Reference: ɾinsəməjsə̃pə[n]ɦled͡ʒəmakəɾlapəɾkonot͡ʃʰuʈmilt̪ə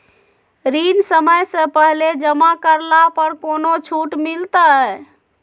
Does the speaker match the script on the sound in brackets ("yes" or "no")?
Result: no